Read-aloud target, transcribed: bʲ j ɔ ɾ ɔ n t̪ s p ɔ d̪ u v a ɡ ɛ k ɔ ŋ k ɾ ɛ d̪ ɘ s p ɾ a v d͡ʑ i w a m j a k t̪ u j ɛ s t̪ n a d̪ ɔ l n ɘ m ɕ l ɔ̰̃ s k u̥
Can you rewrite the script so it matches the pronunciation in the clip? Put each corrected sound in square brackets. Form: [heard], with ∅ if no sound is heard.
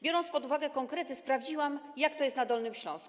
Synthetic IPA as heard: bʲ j ɔ ɾ ɔ n t̪ s p ɔ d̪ u v a ɡ ɛ k ɔ ŋ k ɾ ɛ [t̪] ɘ s p ɾ a v d͡ʑ i w a m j a k t̪ [ɔ] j ɛ s t̪ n a d̪ ɔ l n ɘ m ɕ l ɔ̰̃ s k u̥